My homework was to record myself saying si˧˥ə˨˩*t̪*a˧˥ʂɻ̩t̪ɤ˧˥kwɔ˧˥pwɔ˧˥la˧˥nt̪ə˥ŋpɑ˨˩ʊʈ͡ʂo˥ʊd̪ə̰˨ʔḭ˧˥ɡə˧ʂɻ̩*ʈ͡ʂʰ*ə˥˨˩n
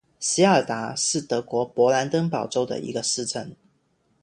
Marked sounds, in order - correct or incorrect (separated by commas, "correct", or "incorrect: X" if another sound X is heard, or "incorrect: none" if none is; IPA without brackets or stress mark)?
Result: correct, incorrect: ʈ͡ʂ